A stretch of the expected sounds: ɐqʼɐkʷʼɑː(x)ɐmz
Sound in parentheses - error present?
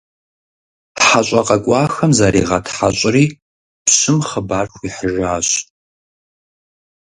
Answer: no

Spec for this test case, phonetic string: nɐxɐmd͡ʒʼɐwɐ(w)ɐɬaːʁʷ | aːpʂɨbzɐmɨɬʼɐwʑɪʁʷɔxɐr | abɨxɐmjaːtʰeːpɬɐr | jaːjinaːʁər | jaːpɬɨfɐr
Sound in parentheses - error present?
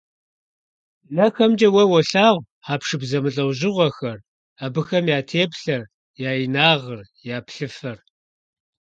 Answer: no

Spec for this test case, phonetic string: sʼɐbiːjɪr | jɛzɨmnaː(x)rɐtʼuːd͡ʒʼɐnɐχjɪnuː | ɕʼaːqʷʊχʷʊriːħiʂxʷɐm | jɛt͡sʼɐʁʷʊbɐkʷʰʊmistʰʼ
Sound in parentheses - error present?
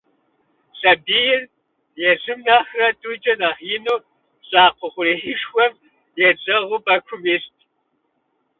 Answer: no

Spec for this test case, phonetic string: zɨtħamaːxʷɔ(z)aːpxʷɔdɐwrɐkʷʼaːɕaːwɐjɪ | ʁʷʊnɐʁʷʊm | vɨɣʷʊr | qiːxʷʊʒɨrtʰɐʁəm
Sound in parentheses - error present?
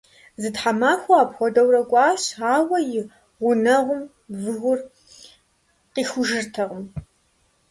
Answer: yes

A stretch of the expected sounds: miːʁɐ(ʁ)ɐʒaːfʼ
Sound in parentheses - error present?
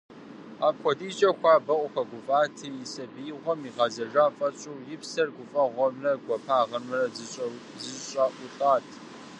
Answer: yes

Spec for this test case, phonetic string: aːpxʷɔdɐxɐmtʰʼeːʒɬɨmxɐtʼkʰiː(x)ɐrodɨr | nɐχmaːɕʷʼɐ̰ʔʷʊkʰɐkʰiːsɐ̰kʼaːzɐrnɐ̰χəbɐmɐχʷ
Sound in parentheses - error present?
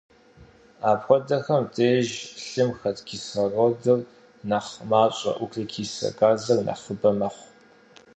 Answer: yes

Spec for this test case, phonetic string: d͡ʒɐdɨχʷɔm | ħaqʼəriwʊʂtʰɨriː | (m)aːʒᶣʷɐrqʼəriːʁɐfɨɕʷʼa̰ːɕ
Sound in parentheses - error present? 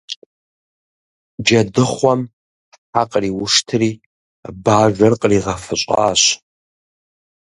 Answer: yes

